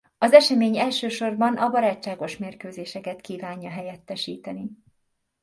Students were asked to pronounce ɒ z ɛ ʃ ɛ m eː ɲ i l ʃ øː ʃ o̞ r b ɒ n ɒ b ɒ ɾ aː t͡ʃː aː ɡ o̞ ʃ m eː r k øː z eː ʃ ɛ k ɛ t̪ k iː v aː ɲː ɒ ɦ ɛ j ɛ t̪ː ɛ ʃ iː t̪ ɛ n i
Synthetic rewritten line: ɒ z ɛ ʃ ɛ m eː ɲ ɛ l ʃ øː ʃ o̞ r b ɒ n ɒ b ɒ ɾ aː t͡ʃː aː ɡ o̞ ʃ m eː r k øː z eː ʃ ɛ k ɛ t̪ k iː v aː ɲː ɒ ɦ ɛ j ɛ t̪ː ɛ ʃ iː t̪ ɛ n i